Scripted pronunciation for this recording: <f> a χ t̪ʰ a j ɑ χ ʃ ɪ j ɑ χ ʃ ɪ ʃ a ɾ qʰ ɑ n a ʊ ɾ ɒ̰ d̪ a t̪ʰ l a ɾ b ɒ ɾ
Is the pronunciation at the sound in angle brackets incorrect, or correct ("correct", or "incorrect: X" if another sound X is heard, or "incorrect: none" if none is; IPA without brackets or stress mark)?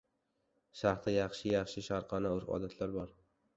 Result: incorrect: ʃ